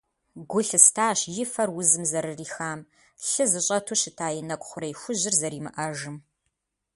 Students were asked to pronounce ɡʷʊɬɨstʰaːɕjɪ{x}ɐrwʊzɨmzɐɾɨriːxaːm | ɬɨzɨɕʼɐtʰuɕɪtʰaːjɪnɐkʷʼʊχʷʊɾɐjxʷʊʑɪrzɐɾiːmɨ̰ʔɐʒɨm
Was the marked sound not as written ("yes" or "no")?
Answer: yes